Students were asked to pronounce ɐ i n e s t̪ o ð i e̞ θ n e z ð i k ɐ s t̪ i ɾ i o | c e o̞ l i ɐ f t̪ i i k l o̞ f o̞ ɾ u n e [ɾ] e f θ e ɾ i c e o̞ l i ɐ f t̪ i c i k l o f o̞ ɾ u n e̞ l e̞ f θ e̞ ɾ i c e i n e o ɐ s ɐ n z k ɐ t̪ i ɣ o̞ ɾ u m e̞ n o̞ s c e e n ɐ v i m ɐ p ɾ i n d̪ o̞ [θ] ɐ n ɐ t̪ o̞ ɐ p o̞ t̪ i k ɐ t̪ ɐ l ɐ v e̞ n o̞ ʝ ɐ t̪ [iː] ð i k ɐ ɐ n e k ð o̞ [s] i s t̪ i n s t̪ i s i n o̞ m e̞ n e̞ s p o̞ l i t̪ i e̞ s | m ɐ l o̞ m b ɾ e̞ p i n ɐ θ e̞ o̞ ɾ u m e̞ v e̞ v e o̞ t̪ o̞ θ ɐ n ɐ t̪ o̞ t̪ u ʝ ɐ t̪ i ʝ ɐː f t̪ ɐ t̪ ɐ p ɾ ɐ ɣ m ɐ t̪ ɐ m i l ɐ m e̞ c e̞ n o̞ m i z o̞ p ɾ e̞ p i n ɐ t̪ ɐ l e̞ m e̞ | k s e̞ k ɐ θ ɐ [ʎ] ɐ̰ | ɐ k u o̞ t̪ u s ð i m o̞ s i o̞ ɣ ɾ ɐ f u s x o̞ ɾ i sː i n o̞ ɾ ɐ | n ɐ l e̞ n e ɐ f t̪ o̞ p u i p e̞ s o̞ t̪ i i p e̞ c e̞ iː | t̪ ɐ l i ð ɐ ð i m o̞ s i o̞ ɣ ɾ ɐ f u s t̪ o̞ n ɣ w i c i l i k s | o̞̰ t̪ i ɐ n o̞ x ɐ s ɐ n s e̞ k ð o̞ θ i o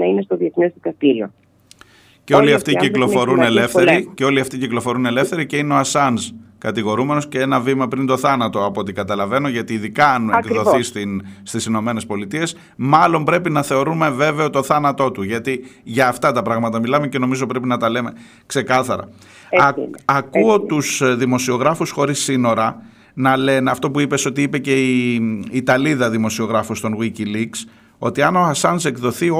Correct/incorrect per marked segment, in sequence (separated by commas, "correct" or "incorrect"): incorrect, correct, correct, incorrect, incorrect